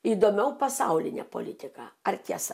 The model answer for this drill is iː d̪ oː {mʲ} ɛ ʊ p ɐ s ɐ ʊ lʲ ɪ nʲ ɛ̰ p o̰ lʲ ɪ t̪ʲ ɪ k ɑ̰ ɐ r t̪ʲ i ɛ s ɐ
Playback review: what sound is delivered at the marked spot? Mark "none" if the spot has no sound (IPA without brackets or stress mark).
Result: mʲ